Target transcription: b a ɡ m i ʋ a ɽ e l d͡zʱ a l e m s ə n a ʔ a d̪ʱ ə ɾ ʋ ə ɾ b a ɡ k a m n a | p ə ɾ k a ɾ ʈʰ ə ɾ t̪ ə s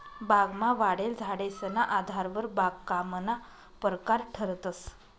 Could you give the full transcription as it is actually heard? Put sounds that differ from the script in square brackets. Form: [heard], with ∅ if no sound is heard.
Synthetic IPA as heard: b a ɡ m [a] ʋ a ɽ e l d͡zʱ a [ɽ] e [∅] s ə n a ʔ a d̪ʱ [a] ɾ ʋ ə ɾ b a ɡ k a m n a | p ə ɾ k a ɾ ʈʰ ə ɾ t̪ ə s